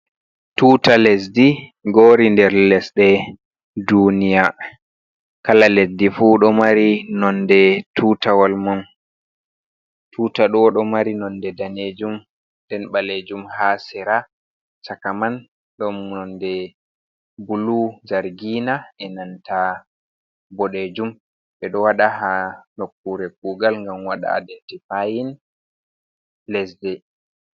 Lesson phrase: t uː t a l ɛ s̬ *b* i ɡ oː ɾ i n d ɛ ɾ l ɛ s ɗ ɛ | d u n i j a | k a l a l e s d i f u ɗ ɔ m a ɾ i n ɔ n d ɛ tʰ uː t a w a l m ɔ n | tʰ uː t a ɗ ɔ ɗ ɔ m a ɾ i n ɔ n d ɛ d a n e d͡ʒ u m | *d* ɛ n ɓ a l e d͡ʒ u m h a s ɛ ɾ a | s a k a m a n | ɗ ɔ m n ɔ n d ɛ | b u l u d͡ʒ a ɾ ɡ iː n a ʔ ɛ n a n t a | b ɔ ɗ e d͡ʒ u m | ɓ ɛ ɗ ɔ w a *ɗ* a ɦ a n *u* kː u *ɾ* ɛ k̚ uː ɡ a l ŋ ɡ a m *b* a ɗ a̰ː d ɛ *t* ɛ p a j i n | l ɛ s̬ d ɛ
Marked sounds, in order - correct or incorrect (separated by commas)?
incorrect, correct, correct, incorrect, correct, incorrect, correct